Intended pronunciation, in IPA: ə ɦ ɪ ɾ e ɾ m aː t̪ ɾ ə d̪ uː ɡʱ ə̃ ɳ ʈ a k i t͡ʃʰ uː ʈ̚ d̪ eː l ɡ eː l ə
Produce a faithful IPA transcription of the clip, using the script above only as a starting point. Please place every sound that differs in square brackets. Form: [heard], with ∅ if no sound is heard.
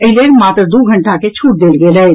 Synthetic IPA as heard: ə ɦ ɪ [l] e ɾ m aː t̪ ɾ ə d̪ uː ɡʱ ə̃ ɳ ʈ a k [e] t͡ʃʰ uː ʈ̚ d̪ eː l ɡ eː l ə